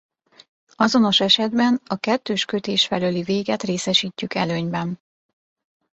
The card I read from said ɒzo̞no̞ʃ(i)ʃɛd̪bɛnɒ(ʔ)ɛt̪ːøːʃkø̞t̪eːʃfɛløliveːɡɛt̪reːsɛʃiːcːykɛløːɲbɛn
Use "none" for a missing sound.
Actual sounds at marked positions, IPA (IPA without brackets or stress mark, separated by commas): ɛ, k